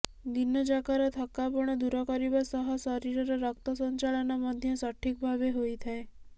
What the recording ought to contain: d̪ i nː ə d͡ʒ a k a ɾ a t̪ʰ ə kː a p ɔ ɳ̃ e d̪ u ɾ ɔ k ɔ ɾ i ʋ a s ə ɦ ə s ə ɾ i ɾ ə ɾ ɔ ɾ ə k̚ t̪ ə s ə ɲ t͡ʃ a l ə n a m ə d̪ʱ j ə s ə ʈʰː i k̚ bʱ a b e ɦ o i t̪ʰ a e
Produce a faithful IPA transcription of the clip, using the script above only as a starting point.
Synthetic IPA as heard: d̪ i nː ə d͡ʒ a k a ɾ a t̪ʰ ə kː a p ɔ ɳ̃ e d̪ u ɾ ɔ k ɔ ɾ i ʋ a s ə ɦ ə s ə ɾ i ɾ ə ɾ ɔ ɾ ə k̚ t̪ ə s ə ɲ t͡ʃ a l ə n a m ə d̪ʱ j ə s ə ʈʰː i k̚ bʱ a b e ɦ o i t̪ʰ a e